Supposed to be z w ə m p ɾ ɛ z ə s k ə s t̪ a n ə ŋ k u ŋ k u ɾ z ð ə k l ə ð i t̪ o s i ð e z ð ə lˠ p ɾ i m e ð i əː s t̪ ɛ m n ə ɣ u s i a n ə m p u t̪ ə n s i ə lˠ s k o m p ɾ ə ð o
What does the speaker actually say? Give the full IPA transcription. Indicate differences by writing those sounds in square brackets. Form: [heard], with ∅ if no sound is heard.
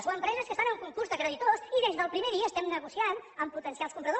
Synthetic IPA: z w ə m p ɾ ɛ z ə s k ə s t̪ a n ə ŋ k u ŋ k u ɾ z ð ə k [ɾ] ə ð i t̪ o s i ð e z ð ə lˠ p ɾ i m e ð i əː s t̪ ɛ m n ə ɣ u s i a n ə m p u t̪ ə n s i [a] lˠ s k [u] m p ɾ ə ð o